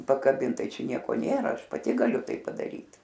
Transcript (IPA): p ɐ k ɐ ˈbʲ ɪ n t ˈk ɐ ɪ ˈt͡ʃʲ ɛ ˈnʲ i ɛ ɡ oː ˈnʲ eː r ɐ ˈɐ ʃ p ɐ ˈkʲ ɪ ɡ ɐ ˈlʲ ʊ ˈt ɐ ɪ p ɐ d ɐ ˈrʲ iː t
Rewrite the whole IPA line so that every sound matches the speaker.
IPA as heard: p ɐ k ɐ ˈbʲ ɪ n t ˈt ɐ ɪ ˈt͡ʃʲ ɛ ˈnʲ i ɛ k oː ˈnʲ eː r ɐ ˈɐ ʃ p ɐ ˈtʲ ɪ ɡ ɐ ˈlʲ ʊ ˈt ɐ ɪ p ɐ d ɐ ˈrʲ iː t